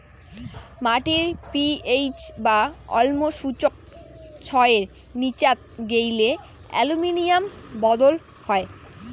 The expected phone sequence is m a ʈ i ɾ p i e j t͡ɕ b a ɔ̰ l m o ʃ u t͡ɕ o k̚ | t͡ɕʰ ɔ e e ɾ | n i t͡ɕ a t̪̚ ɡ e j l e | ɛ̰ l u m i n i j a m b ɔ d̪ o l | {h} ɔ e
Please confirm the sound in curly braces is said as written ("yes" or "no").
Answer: yes